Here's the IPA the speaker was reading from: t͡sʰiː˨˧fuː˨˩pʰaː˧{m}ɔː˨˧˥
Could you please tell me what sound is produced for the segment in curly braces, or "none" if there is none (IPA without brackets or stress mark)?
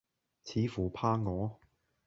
ŋ